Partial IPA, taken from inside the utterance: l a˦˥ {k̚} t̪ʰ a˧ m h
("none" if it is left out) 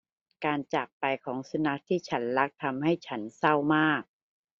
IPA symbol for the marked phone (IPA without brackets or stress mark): k̚